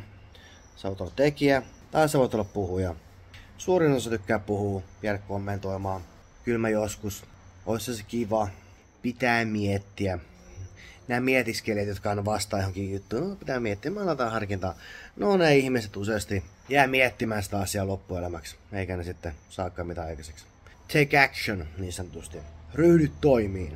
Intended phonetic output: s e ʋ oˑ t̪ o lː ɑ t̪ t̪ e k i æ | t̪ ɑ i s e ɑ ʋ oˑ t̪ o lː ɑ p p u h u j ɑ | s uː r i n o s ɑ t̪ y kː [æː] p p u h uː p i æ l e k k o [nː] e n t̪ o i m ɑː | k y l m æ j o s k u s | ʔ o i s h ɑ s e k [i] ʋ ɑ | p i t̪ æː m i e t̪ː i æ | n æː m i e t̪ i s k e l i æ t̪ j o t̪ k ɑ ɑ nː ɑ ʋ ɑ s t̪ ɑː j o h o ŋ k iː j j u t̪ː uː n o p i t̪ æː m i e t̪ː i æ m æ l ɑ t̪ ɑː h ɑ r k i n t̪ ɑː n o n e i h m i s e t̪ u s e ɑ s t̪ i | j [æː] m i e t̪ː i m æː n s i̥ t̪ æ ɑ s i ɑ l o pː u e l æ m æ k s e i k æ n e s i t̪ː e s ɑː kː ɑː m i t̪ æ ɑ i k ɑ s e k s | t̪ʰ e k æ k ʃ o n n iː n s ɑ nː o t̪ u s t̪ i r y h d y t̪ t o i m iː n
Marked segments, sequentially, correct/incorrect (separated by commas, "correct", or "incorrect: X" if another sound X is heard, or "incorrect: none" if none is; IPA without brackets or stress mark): correct, incorrect: mː, correct, correct